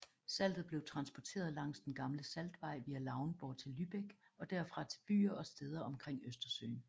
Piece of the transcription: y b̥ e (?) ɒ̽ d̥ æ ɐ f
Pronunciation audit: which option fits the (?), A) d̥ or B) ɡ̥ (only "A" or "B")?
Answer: B